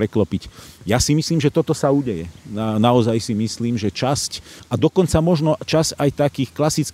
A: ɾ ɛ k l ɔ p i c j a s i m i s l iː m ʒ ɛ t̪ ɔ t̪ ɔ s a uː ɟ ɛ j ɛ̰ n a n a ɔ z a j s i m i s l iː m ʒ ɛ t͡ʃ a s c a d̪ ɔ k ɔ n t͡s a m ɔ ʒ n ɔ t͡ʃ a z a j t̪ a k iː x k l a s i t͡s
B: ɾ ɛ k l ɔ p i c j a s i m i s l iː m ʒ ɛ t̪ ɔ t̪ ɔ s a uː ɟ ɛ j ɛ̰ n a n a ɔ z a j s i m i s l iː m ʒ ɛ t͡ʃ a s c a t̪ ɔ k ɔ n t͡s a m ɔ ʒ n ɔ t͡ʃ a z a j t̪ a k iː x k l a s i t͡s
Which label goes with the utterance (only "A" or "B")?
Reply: A